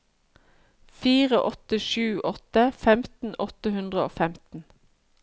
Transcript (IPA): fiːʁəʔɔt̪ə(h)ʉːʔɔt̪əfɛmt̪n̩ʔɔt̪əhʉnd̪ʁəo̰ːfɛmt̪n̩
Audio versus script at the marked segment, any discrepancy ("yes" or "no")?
yes